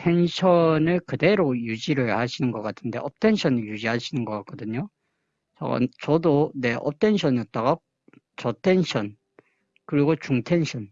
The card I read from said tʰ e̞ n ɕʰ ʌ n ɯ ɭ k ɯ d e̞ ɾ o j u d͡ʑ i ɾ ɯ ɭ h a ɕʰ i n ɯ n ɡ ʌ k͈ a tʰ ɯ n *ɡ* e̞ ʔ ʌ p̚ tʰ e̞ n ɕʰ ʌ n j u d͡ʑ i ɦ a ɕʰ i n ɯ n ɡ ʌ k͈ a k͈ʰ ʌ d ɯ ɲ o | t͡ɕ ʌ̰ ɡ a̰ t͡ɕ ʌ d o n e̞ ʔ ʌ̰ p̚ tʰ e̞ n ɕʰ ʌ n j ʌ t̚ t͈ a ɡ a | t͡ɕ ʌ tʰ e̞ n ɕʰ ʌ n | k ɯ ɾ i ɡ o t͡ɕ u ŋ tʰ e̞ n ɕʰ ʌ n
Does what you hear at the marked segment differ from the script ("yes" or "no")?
yes